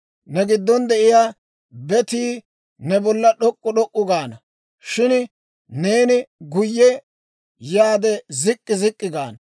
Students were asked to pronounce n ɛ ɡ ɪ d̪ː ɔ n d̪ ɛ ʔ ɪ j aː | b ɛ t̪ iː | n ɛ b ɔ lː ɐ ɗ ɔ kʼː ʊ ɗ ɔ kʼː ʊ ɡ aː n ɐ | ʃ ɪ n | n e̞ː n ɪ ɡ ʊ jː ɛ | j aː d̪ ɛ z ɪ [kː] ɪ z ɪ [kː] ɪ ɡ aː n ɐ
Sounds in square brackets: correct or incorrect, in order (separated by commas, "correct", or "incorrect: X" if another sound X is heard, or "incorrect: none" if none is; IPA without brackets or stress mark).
incorrect: kʼː, incorrect: kʼː